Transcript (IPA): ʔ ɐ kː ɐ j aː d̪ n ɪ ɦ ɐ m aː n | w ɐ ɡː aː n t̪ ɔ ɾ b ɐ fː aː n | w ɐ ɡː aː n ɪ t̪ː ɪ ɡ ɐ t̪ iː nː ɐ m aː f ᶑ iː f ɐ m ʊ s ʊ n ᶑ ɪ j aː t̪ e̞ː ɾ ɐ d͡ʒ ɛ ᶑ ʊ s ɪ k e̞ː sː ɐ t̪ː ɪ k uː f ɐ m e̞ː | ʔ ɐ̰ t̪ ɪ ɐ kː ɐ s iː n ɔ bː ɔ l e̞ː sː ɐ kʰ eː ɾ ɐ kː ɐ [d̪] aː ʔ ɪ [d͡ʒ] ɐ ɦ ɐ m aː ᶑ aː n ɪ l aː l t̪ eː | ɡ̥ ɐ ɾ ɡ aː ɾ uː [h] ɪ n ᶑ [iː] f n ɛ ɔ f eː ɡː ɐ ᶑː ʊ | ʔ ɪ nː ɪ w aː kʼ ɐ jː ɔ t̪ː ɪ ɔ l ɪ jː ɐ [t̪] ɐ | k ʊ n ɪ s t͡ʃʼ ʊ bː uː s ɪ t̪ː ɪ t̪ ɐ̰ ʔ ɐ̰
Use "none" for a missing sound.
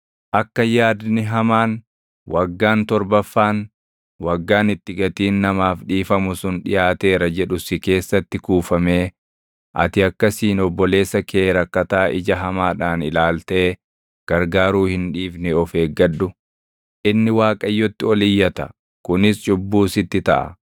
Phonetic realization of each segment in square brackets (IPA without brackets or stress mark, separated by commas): t̪, d͡ʒ, h, iː, t̪